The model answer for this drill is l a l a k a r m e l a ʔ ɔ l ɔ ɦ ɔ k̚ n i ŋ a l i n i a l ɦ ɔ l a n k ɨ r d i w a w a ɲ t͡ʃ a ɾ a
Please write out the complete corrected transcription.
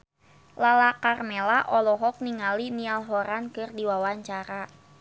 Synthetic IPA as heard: l a l a k a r m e l a ʔ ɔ l ɔ ɦ ɔ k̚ n i ŋ a l i n i a l ɦ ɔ ɾ a n k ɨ r d i w a w a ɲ t͡ʃ a ɾ a